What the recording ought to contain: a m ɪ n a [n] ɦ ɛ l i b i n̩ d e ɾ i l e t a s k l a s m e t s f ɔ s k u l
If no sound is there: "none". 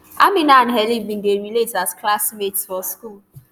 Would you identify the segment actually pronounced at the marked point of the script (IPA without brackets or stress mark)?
n